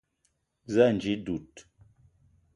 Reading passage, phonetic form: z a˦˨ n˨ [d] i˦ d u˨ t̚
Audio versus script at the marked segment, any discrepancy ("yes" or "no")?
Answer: yes